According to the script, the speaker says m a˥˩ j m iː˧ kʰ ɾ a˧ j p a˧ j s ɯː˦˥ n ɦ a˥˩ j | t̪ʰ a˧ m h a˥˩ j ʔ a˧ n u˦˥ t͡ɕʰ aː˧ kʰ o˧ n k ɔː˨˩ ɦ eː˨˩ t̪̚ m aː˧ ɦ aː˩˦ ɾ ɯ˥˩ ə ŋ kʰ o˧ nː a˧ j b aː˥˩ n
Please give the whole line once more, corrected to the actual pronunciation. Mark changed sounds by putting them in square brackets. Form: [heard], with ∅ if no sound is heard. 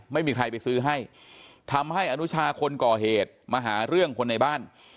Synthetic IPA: m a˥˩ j m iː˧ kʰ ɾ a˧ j p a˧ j s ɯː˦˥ [∅] ɦ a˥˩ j | t̪ʰ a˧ m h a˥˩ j ʔ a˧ n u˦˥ t͡ɕʰ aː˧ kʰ o˧ n k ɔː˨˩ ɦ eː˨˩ t̪̚ m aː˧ ɦ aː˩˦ ɾ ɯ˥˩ ə ŋ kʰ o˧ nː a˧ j b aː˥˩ n